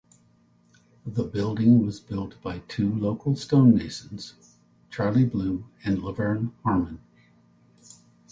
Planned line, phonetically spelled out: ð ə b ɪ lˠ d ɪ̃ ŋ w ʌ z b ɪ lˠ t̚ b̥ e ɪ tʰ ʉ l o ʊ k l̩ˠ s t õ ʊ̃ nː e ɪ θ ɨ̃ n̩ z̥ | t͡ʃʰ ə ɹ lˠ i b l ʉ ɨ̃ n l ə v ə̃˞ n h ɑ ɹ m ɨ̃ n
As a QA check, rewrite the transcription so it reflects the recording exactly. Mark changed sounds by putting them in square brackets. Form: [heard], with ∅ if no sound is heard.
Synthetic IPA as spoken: ð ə b ɪ lˠ d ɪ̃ ŋ w ʌ z b ɪ lˠ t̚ b̥ [a] ɪ tʰ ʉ l o ʊ k l̩ˠ s t õ ʊ̃ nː e ɪ [ʃ] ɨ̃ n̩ z̥ | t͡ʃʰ [ɑ] ɹ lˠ i b l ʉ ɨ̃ n l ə v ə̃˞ n h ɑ ɹ m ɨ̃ n